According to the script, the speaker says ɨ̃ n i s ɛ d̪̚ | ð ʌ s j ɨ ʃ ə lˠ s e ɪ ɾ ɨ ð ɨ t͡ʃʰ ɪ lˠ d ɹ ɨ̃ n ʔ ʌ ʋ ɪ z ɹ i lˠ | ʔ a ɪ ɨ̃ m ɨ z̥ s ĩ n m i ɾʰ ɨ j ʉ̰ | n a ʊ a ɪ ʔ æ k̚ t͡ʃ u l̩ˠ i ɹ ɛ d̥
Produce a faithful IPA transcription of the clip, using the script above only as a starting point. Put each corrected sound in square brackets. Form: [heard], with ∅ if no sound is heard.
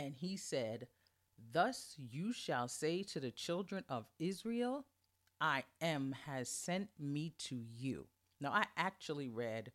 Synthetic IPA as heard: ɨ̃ n i s ɛ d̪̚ | ð ʌ s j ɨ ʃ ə lˠ s e ɪ ɾ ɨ ð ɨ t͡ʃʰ ɪ lˠ d ɹ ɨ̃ n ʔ ʌ [v] ɪ z ɹ i lˠ | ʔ a ɪ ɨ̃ m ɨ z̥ s [ɛ̃] n m i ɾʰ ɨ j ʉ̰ | n a ʊ a ɪ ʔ æ k̚ t͡ʃ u l̩ˠ i ɹ ɛ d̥